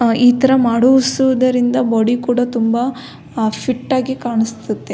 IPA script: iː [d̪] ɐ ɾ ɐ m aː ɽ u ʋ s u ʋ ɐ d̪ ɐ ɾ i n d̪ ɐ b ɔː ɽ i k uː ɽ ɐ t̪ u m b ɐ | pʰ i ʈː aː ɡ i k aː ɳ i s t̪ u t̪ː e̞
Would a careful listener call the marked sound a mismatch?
yes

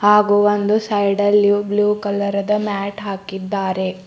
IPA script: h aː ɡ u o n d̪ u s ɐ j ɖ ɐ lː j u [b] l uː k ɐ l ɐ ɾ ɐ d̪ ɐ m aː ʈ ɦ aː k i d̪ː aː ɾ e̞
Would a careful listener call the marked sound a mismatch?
no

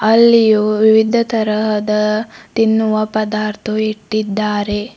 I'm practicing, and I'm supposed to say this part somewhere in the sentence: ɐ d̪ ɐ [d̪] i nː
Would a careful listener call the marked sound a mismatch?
yes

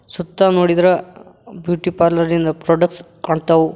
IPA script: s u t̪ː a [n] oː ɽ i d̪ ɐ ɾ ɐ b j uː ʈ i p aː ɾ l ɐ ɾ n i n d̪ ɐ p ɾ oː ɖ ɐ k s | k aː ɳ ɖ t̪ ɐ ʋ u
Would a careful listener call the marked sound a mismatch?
no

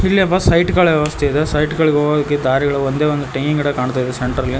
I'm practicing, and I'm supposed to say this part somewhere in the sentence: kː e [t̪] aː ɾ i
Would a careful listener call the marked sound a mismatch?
yes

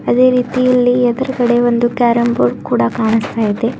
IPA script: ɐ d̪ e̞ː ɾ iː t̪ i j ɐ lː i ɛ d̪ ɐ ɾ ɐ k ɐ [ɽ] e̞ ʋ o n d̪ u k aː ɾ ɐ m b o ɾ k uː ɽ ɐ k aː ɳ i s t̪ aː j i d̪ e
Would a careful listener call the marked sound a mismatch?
no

